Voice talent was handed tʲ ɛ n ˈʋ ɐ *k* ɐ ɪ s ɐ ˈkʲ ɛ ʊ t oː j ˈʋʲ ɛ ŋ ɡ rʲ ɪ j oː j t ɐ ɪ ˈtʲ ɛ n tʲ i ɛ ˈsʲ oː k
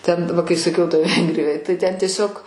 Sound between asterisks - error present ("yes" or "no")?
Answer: no